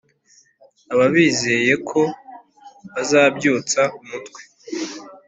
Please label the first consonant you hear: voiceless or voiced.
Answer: voiced